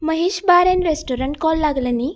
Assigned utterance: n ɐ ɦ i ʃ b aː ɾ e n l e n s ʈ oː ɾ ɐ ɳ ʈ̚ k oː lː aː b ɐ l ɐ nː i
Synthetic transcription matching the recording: m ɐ ɦ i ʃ b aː ɾ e n ɾ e s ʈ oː ɾ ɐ ɳ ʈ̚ k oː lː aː ɡ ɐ l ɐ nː i